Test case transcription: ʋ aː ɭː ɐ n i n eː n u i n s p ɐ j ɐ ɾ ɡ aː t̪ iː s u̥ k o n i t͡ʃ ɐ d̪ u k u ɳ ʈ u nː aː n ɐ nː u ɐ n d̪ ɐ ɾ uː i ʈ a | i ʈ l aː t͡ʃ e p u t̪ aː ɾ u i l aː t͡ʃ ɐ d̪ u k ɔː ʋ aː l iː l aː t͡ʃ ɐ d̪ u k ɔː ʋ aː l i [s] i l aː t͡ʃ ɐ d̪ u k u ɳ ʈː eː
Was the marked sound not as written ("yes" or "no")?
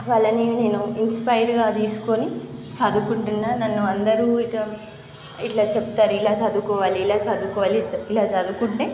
yes